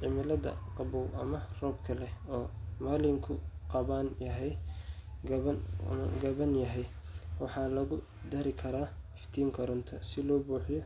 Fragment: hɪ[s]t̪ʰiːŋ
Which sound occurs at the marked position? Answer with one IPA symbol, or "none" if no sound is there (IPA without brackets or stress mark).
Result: f